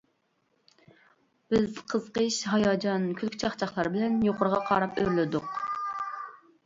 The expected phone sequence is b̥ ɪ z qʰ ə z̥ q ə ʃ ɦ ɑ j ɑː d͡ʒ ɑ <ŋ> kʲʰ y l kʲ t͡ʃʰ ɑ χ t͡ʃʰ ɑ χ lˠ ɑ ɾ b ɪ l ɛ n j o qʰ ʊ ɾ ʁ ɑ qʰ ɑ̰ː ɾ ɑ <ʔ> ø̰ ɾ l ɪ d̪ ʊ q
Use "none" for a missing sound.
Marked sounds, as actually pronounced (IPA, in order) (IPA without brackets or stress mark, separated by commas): n, p